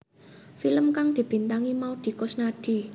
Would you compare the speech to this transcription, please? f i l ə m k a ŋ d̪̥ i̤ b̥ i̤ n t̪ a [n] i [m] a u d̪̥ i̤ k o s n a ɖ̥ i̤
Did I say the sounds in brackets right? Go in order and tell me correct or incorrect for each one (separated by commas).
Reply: incorrect, correct